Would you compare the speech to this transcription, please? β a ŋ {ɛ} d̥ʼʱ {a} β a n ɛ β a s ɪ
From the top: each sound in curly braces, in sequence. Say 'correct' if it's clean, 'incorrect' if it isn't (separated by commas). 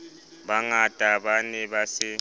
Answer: incorrect, correct